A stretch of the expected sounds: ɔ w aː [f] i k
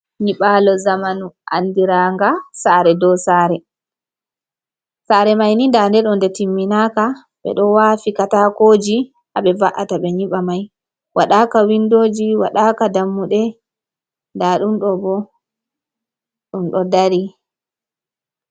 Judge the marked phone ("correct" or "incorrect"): correct